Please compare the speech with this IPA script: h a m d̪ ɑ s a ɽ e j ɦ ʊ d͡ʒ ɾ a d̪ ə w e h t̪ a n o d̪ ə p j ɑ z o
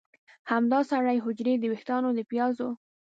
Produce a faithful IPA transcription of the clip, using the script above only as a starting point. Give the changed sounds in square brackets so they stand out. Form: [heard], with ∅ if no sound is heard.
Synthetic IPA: h a m d̪ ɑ s a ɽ [a] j ɦ ʊ d͡ʒ ɾ [e] d̪ ə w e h t̪ [ɑ] n o d̪ ə p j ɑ z o